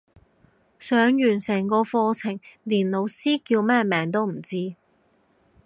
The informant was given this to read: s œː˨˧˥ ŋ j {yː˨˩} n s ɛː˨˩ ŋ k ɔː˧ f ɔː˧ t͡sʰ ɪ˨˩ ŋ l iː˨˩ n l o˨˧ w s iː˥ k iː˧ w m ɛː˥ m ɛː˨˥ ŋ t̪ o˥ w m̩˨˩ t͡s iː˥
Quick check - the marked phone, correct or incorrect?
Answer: correct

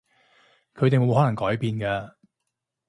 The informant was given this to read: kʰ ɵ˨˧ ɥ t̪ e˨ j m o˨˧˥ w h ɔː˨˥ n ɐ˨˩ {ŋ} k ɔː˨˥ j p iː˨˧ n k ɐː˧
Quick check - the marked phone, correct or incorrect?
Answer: correct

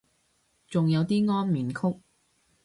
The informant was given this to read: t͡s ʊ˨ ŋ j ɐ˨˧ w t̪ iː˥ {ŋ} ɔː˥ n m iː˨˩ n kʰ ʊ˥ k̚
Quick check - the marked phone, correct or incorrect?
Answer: correct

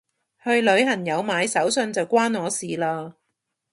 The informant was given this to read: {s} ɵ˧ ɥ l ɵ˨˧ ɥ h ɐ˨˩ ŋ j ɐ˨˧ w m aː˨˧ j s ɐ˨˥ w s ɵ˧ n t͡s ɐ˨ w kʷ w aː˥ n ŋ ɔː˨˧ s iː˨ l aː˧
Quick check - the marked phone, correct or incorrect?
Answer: incorrect: h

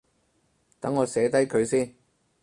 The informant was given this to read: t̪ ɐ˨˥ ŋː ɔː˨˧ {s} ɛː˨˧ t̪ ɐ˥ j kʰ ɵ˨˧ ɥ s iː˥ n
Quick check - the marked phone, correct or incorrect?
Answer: correct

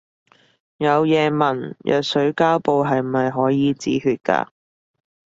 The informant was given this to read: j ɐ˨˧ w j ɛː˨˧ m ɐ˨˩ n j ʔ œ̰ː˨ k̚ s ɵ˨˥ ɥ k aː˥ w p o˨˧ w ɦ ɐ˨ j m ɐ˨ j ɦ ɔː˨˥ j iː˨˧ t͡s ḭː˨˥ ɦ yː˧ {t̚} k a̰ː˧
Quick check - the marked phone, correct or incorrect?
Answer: correct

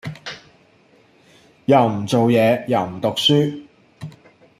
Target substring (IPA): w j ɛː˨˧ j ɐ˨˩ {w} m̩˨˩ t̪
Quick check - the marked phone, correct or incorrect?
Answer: correct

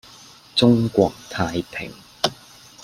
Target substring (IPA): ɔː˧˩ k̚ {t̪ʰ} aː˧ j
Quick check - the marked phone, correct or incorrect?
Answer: correct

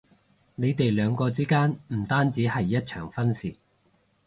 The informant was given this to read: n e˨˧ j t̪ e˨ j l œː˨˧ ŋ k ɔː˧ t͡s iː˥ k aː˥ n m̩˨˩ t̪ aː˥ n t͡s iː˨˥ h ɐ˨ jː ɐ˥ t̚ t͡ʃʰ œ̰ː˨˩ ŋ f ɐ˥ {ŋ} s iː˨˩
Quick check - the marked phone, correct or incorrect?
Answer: incorrect: n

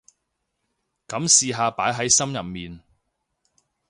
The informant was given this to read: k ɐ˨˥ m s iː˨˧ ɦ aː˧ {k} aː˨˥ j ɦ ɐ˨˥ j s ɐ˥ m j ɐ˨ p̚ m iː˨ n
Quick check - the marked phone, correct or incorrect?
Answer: incorrect: p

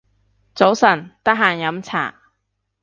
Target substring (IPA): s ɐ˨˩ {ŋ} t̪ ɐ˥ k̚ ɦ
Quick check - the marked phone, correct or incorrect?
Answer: incorrect: n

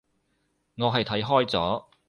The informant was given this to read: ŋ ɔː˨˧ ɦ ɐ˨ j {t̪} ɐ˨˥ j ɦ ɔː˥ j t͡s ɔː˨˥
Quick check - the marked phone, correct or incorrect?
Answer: incorrect: t̪ʰ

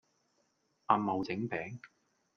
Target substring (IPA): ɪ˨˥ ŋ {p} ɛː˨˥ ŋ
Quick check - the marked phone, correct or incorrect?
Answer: correct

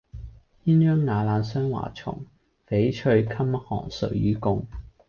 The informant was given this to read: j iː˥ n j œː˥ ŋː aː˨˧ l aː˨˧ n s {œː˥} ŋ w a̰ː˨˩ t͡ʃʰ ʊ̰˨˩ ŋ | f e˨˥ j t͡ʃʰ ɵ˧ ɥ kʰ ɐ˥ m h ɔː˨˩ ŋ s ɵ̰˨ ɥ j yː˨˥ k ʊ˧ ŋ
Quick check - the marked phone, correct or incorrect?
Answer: correct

